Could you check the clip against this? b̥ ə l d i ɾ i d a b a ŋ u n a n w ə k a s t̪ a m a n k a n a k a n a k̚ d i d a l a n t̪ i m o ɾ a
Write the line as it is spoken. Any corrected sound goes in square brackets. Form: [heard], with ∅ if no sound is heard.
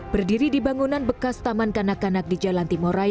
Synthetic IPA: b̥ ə [r] d i ɾ i d [i] b a ŋ u n a n [b] ə k a s t̪ a m a n k a n a k a n a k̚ d i [d͡ʒ] a l a n t̪ i m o ɾ a